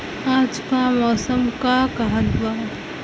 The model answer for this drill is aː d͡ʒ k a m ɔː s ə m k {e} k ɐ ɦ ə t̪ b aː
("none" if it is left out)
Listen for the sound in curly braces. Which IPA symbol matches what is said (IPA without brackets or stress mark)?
a